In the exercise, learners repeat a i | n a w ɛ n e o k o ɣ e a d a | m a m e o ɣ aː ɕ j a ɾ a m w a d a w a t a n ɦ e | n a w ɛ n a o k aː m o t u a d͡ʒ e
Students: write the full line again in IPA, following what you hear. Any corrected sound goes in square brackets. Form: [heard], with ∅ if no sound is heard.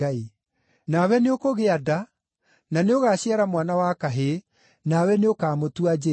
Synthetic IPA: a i | n a w ɛ n e o k o ɣ e a d a | [n] a [n] e o ɣ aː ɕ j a ɾ a m w a [n] a w a [k] a [∅] ɦ e | n a w ɛ n [e] o k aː m o t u a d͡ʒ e